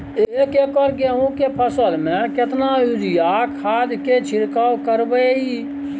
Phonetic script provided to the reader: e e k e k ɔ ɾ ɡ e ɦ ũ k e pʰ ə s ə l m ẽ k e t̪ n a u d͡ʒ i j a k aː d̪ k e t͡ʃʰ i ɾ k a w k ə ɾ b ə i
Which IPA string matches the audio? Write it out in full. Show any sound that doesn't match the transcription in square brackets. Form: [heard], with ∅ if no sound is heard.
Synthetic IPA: e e k e k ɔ ɾ ɡ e ɦ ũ k e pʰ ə s ə l m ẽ k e t̪ n a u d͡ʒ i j a [kʰ] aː d̪ k e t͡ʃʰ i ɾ k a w k ə ɾ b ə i